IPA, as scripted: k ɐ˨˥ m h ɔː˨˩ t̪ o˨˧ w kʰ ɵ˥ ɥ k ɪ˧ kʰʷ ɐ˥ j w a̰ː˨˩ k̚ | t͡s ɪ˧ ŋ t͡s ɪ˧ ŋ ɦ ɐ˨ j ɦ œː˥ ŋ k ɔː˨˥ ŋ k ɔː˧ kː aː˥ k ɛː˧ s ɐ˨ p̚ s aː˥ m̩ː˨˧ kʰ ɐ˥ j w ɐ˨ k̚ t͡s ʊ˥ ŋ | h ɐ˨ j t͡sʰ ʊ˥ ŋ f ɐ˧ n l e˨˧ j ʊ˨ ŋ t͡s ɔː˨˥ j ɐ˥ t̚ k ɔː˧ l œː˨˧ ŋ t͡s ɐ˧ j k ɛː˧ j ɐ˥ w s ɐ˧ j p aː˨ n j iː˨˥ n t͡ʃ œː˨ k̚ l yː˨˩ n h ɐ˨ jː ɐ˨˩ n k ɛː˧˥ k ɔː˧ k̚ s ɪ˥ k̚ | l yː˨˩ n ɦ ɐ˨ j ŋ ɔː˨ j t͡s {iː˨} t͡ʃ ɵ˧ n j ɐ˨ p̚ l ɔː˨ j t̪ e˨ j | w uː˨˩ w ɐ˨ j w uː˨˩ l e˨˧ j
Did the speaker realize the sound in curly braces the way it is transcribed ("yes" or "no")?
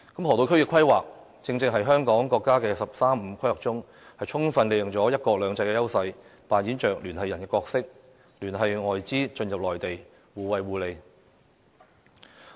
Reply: no